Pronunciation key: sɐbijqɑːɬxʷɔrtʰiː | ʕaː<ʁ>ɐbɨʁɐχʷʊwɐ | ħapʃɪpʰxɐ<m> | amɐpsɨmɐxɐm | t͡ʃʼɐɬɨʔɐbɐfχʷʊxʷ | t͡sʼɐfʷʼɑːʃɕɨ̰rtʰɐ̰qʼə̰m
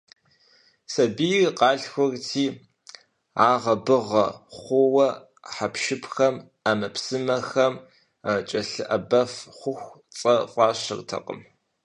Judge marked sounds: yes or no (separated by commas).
yes, yes